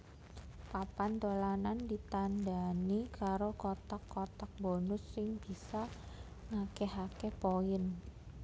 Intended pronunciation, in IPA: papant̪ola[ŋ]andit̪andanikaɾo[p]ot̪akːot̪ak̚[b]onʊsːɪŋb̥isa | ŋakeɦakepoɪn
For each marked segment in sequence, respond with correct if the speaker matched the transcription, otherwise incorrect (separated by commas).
incorrect, incorrect, correct